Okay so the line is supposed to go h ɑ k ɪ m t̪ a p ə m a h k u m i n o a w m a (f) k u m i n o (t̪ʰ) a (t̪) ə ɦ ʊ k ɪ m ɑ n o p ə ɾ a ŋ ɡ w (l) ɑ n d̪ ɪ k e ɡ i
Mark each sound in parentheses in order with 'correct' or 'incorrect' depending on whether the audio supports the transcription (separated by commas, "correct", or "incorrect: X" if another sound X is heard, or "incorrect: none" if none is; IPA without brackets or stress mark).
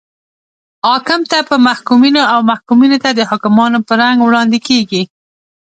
incorrect: h, incorrect: t̪, incorrect: d̪, incorrect: ɽ